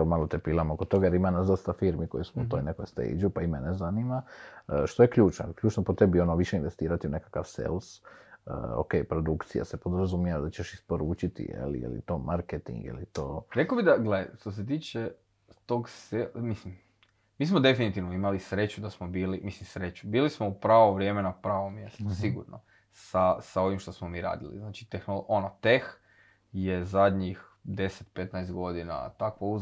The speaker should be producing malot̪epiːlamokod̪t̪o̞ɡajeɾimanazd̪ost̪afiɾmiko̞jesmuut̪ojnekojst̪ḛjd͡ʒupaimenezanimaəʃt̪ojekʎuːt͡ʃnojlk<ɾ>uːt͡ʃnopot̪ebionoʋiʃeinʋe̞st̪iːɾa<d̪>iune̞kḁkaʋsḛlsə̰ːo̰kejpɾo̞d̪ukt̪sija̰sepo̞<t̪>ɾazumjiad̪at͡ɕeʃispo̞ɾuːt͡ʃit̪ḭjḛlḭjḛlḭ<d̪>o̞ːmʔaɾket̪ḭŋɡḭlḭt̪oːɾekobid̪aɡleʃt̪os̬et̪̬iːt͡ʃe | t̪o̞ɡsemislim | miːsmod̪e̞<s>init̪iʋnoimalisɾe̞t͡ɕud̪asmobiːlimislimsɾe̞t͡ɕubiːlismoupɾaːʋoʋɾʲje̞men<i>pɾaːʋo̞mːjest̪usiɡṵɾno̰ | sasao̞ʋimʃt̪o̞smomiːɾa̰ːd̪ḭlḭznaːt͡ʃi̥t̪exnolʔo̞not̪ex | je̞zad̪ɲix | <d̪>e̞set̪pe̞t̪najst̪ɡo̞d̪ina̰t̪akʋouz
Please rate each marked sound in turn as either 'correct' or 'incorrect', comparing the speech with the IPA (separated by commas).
incorrect, incorrect, incorrect, incorrect, incorrect, incorrect, correct